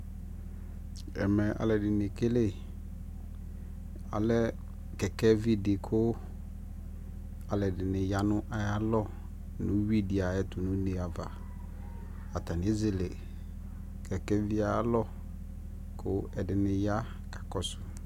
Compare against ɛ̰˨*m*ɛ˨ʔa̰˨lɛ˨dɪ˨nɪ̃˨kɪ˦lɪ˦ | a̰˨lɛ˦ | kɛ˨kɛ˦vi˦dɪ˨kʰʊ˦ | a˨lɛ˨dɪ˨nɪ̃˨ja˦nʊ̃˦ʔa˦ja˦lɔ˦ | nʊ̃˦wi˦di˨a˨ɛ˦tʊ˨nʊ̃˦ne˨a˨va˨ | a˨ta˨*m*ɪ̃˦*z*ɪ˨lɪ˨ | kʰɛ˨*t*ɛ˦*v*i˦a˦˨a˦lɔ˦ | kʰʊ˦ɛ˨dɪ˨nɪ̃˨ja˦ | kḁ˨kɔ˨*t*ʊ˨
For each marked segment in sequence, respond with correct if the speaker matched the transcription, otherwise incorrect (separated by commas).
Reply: correct, incorrect, correct, incorrect, correct, incorrect